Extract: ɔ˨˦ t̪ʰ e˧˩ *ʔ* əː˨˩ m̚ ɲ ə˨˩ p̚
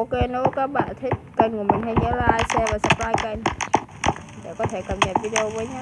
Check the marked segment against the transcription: incorrect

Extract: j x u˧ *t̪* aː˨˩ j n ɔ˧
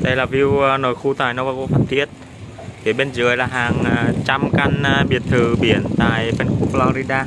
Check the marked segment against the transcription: correct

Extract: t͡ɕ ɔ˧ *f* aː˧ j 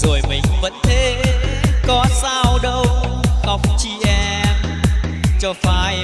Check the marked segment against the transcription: correct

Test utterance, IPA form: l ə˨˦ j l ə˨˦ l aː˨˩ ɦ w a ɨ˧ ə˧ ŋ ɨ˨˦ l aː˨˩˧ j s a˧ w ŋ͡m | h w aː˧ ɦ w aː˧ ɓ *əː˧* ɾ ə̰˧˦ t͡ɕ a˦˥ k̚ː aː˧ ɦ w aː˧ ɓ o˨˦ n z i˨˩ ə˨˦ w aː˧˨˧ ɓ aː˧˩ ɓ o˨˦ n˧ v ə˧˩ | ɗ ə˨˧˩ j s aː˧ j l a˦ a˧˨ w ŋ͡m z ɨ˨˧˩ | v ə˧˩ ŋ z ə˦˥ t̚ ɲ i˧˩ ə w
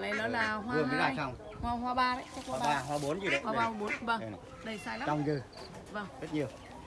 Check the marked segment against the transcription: incorrect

